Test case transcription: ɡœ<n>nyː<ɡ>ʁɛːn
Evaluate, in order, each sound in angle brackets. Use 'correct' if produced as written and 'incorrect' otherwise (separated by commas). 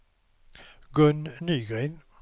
correct, correct